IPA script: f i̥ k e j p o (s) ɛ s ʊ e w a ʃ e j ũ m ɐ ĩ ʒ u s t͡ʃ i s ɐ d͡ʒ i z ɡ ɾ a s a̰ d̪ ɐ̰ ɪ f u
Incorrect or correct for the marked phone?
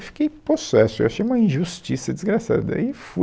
correct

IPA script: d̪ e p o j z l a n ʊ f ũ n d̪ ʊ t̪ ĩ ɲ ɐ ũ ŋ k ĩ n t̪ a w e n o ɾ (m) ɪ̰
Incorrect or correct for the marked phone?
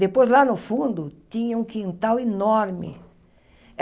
correct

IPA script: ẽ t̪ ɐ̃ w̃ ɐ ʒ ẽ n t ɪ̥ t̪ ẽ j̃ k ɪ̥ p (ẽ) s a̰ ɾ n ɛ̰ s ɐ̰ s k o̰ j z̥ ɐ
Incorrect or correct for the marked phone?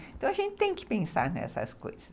correct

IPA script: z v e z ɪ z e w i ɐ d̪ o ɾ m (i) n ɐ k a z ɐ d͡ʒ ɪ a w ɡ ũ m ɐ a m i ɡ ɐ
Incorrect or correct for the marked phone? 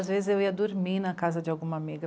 correct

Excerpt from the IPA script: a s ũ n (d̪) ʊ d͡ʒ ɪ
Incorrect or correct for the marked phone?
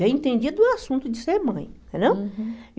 incorrect: t̪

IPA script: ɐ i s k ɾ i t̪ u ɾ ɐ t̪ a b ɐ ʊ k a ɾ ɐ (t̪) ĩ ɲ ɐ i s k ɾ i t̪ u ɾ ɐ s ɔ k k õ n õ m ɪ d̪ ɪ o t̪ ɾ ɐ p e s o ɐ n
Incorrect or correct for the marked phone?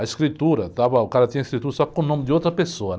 correct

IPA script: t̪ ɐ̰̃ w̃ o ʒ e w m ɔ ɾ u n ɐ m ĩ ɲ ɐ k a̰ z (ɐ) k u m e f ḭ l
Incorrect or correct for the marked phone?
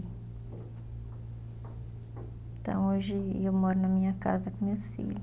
correct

